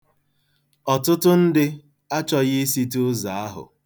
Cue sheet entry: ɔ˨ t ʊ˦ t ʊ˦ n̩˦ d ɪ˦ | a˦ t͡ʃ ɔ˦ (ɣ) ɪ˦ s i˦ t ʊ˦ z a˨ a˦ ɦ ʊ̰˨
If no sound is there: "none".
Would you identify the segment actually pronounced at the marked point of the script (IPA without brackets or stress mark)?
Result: ɣ